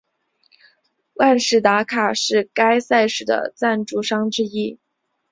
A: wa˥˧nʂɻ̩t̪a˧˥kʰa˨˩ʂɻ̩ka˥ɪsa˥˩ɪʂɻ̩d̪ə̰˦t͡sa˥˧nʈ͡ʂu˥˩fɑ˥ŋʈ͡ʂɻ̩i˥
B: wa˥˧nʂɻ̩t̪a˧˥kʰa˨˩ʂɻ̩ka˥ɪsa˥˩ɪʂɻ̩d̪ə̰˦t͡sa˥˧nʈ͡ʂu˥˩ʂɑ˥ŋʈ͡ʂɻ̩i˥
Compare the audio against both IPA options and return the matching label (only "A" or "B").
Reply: B